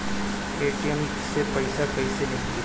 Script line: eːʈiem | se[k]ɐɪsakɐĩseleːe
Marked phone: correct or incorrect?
incorrect